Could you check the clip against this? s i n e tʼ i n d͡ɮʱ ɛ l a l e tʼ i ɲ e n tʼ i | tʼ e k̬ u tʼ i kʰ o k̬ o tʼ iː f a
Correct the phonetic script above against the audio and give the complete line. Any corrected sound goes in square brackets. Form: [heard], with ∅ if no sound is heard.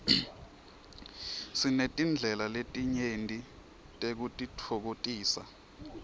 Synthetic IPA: s i n e tʼ i n d͡ɮʱ ɛ l a l e tʼ i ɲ e n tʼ i | tʼ e k̬ u tʼ i [tʰ] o k̬ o tʼ iː [s] a